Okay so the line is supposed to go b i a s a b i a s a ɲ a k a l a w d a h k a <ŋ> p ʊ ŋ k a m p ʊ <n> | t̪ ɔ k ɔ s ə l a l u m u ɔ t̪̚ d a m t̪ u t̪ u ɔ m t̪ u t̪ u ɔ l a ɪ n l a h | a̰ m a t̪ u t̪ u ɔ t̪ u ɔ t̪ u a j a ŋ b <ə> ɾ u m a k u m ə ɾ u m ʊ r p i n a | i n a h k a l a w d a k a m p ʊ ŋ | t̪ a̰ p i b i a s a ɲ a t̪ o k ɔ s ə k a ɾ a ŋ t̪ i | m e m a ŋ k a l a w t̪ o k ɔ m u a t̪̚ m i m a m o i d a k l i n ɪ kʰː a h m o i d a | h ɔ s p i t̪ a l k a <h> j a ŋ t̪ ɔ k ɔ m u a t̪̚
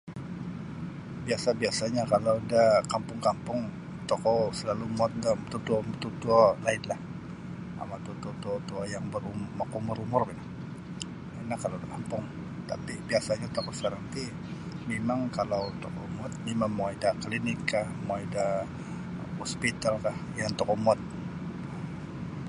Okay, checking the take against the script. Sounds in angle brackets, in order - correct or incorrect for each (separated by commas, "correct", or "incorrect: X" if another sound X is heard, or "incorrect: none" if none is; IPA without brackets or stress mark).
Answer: incorrect: m, incorrect: ŋ, correct, correct